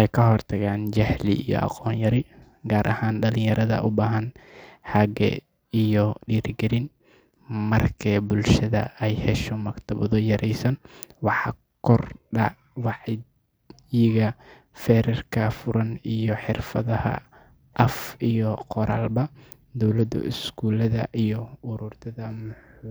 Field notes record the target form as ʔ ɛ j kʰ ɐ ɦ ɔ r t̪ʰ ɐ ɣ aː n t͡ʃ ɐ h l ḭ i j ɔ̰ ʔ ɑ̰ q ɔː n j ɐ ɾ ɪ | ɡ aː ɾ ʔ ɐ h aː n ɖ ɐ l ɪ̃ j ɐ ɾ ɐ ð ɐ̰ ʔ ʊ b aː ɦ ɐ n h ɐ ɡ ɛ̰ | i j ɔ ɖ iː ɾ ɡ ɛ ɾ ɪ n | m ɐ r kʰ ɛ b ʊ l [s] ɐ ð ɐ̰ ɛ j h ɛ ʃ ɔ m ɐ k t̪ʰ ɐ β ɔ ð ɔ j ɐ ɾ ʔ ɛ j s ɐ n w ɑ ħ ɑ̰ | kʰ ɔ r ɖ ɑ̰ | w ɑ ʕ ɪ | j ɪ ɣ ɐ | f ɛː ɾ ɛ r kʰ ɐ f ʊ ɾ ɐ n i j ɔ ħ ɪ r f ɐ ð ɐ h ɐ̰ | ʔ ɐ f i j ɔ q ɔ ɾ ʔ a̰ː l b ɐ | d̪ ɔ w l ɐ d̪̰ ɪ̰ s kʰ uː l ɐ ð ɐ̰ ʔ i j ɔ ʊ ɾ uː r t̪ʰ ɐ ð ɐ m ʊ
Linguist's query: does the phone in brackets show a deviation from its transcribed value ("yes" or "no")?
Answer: yes